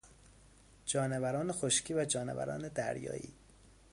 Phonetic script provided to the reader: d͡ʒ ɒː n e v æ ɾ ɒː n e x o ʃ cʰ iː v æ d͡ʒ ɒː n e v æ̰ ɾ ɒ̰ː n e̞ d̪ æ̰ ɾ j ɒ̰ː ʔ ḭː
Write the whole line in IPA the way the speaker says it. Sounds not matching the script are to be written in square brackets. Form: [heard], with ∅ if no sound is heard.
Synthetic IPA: d͡ʒ ɒː n e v æ ɾ ɒː n e x o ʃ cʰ iː v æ d͡ʒ ɒː n e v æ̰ ɾ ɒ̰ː n e̞ d̪ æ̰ ɾ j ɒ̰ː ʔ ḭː